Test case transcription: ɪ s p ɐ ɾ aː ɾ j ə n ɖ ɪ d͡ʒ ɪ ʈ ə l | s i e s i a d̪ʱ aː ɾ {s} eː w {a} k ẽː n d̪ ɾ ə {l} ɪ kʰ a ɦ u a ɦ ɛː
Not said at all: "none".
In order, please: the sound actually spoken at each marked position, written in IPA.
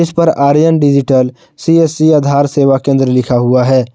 s, a, l

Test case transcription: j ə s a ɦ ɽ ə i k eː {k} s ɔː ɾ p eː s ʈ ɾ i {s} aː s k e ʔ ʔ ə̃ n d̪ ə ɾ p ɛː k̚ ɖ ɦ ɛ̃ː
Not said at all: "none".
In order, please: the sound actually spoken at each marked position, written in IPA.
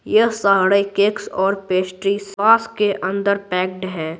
k, s

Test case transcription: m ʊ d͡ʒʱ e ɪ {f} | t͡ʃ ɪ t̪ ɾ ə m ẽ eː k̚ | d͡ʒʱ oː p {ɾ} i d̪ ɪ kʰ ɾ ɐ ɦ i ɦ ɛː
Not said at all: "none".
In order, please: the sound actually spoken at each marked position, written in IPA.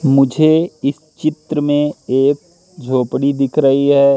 s, ɽ

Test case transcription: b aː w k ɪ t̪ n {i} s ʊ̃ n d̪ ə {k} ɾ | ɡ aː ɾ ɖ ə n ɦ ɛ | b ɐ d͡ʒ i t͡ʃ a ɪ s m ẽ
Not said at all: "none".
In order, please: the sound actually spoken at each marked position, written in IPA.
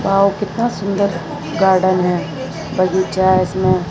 a, none

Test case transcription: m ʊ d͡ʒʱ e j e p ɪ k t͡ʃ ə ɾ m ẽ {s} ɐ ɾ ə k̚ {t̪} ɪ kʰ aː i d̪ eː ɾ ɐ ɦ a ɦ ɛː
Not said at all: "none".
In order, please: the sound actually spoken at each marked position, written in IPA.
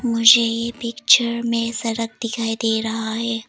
s, d̪

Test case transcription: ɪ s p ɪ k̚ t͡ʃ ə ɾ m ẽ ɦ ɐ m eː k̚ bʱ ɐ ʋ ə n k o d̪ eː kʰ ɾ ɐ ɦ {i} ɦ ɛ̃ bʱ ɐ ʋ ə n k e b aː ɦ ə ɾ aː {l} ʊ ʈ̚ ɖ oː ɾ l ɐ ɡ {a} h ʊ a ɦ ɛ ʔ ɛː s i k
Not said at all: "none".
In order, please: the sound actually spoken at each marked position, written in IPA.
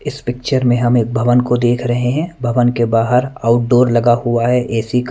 e, none, a

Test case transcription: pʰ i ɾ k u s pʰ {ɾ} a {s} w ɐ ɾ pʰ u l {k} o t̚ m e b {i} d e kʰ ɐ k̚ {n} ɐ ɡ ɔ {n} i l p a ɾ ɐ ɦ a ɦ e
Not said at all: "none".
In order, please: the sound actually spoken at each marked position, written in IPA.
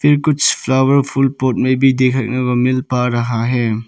l, none, p, i, n, m

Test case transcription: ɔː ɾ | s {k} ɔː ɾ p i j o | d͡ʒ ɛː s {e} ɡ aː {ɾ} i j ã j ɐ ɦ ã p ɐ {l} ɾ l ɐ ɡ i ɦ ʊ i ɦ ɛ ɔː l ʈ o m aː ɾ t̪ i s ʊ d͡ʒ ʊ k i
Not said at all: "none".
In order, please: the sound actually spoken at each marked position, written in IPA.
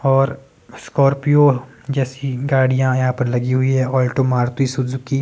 k, i, ɽ, none

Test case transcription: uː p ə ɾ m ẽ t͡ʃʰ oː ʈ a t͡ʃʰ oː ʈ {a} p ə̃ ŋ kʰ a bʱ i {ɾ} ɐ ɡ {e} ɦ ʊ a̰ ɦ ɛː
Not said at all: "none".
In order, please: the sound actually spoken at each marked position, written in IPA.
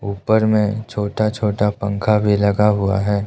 a, l, a

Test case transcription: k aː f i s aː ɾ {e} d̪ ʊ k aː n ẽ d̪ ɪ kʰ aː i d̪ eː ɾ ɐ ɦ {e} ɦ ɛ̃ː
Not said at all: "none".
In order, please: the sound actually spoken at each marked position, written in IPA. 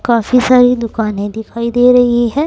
i, i

